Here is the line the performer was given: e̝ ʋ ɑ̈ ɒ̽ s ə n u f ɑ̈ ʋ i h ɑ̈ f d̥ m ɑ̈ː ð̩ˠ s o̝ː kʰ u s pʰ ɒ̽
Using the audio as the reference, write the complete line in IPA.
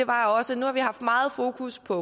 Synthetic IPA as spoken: e̝ ʋ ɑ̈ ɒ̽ s ə n u h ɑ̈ ʋ i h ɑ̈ f d̥ m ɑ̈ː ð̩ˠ f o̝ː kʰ u s pʰ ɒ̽